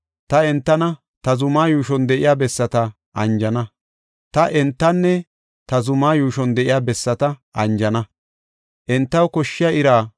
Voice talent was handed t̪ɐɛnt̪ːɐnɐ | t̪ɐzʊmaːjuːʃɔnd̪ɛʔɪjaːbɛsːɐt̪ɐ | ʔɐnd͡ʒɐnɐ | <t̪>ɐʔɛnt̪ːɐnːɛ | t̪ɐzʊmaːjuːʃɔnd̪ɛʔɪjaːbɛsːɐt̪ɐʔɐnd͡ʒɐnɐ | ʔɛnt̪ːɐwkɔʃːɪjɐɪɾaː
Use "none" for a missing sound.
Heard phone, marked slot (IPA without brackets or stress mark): t̪